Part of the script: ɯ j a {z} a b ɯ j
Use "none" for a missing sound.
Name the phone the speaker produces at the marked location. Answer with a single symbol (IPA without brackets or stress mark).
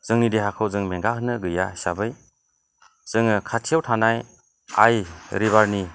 s